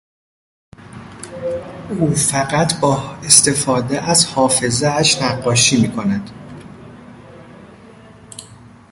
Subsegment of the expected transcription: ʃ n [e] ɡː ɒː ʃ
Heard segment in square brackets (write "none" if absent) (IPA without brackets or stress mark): æ